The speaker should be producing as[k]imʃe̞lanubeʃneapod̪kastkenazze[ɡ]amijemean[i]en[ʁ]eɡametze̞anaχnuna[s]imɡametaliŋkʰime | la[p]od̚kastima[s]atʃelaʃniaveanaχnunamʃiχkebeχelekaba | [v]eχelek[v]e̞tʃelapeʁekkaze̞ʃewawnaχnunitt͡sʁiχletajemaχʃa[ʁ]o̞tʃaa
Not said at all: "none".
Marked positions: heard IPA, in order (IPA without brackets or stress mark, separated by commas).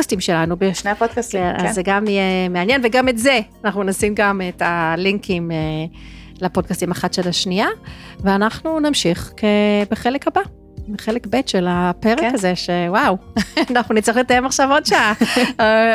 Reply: t, ɡ, j, v, s, p, χ, b, b, v